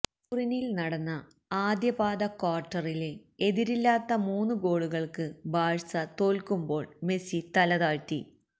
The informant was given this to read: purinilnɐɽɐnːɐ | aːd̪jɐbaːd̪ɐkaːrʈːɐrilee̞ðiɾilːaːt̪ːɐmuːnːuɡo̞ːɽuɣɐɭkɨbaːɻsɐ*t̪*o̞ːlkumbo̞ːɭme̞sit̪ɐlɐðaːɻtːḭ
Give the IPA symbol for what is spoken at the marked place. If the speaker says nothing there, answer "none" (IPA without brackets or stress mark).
t̪